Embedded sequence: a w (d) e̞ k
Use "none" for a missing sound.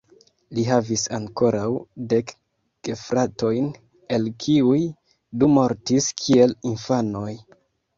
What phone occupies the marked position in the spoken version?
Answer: d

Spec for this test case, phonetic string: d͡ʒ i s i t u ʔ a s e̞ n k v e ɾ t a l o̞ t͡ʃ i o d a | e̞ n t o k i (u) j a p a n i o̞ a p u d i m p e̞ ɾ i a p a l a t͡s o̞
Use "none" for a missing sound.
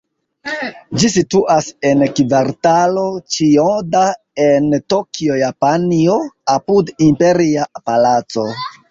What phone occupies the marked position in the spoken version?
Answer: o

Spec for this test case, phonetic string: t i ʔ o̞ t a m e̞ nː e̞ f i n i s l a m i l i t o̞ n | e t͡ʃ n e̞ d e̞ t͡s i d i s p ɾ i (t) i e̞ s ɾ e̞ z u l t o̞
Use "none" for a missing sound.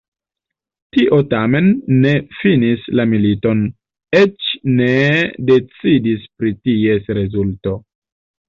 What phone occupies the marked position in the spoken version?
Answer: t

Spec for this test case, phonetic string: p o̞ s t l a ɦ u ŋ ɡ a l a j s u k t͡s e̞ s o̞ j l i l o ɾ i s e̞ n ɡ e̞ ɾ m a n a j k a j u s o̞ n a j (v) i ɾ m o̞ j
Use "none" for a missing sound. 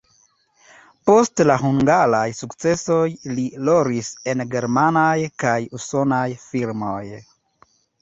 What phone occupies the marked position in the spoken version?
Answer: f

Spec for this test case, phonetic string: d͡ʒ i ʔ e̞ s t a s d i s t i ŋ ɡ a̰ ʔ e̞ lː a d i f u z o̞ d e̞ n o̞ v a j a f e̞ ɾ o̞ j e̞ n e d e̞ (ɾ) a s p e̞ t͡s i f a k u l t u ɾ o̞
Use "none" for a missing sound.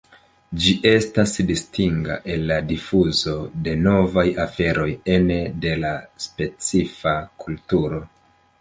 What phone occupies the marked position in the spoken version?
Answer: l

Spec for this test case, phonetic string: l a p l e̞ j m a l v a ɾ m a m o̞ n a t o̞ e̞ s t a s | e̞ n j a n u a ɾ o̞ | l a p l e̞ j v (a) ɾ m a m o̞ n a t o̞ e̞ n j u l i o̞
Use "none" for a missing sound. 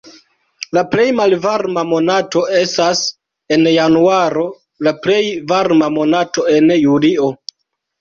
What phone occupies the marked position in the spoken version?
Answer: a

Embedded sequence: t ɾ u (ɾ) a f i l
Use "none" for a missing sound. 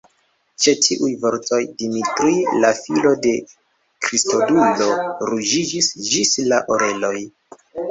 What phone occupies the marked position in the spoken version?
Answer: l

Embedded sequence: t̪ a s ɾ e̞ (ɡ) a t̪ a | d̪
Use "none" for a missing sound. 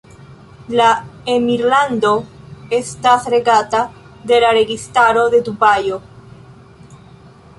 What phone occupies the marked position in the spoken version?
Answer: ɡ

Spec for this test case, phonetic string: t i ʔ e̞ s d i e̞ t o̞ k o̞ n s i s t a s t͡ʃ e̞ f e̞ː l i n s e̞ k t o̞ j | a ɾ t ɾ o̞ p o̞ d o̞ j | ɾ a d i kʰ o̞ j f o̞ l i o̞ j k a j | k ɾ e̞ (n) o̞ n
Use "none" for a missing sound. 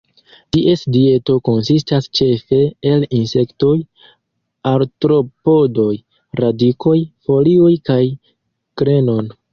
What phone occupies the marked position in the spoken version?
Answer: n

